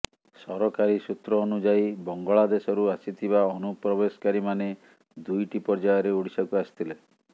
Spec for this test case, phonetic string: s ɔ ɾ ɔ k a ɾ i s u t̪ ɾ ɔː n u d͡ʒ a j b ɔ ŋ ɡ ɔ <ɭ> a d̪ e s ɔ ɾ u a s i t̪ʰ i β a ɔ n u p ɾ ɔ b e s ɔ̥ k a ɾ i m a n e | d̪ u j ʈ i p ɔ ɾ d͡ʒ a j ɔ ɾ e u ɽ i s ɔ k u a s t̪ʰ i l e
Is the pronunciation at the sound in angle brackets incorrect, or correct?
correct